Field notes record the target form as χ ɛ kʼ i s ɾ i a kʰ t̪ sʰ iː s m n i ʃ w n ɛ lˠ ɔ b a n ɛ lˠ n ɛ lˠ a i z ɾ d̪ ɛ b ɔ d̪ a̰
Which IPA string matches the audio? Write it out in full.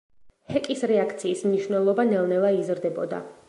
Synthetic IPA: h ɛ kʼ i s ɾ ɛ a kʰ t̪ sʰ iː s m n i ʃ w n ɛ lˠ ɔ b a n ɛ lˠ n ɛ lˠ a i z ɾ d̪ ɛ b ɔ d̪ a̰